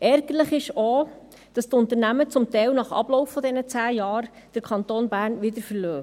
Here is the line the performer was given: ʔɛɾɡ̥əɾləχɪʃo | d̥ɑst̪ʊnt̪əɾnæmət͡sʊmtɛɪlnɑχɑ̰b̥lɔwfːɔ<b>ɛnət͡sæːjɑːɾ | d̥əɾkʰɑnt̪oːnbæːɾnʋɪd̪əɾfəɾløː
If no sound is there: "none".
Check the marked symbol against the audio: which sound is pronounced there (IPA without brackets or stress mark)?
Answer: d